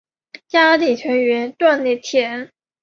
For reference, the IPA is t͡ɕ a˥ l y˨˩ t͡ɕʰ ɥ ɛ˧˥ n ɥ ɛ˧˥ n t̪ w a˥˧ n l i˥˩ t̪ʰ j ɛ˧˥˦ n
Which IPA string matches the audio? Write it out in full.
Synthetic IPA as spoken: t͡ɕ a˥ l i˨˩ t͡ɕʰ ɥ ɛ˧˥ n ɥ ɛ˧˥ n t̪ w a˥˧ n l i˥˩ t̪ʰ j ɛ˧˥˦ n